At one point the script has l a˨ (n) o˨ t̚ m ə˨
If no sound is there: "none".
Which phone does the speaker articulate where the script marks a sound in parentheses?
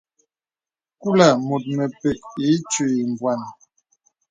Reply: m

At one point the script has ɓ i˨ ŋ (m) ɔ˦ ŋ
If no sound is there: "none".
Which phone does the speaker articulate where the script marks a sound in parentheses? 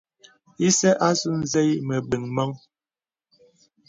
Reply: m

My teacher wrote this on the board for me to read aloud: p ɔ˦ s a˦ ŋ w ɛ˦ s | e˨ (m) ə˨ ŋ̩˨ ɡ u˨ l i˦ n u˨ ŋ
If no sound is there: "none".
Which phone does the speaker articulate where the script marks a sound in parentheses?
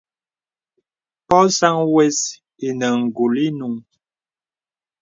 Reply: n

